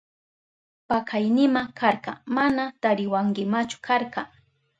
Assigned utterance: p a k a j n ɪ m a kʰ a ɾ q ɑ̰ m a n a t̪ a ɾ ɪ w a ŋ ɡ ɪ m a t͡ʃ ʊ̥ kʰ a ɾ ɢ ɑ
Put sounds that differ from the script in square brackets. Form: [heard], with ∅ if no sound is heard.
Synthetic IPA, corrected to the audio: p a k a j n ɪ m a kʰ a ɾ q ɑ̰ m a n a t̪ a ɾ ɪ w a ŋ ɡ ɪ m a t͡ʃ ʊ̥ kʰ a ɾ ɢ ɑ